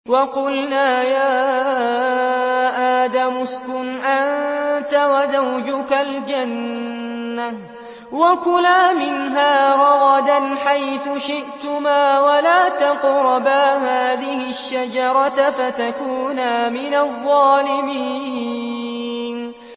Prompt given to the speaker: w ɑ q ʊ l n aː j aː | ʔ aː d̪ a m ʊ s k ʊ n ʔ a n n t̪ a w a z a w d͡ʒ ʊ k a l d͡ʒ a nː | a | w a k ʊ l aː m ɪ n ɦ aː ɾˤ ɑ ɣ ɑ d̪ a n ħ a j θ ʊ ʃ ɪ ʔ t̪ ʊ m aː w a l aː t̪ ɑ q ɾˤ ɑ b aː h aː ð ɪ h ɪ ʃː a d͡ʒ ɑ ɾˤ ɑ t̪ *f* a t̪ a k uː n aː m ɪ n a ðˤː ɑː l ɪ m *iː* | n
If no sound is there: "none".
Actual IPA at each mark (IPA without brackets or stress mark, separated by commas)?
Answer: f, iː